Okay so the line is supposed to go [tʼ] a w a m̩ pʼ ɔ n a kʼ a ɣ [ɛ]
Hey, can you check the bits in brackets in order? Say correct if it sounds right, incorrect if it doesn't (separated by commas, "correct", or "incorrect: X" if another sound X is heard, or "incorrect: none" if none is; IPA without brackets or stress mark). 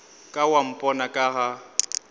incorrect: kʼ, incorrect: a